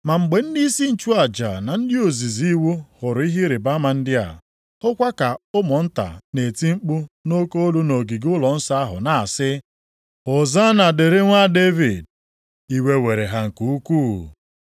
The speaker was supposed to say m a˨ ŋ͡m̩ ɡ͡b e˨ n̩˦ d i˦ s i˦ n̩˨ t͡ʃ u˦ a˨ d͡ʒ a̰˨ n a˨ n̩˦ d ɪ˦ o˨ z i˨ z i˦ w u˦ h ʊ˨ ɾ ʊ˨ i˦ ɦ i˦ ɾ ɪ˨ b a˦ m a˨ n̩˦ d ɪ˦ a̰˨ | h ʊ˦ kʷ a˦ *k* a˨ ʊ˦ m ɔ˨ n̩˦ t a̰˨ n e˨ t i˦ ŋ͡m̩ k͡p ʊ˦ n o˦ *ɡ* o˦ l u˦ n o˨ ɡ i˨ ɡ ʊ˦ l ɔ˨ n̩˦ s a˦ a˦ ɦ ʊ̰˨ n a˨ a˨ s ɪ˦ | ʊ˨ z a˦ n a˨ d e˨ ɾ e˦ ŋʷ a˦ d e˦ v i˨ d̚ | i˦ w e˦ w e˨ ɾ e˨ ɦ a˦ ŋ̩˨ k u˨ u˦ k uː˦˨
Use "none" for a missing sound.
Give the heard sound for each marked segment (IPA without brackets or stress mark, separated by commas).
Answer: k, k